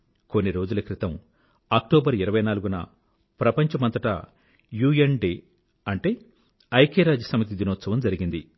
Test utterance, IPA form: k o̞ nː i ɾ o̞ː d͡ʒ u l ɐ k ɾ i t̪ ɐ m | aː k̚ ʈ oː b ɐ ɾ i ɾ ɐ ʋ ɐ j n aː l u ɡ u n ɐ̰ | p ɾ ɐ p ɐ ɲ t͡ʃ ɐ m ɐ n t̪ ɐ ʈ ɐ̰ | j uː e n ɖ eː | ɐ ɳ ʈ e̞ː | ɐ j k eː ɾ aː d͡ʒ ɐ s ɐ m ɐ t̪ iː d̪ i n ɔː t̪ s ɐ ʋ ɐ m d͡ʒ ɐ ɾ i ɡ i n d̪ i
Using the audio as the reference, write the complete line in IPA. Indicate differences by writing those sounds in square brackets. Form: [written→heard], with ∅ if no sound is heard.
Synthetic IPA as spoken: k o̞ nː i ɾ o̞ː d͡ʒ u l ɐ k ɾ i t̪ ɐ m | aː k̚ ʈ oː b ɐ ɾ i ɾ ɐ ʋ ɐ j n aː l u ɡ u n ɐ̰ | p ɾ ɐ p ɐ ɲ t͡ʃ ɐ m ɐ n t̪ ɐ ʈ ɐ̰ | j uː e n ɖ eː | ɐ ɳ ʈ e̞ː | ɐ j k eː ɾ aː d͡ʒ ɐ s ɐ m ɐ t̪ [iː→i] d̪ i n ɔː t̪ s ɐ ʋ ɐ m d͡ʒ ɐ ɾ i ɡ i n d̪ i